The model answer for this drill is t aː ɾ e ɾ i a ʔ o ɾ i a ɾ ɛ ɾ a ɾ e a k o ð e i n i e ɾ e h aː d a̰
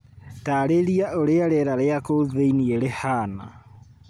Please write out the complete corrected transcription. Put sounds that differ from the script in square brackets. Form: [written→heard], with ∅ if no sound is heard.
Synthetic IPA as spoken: t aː ɾ e ɾ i a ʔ o ɾ [i→e] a ɾ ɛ ɾ a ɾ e a k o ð e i n i e ɾ e h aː [d→n] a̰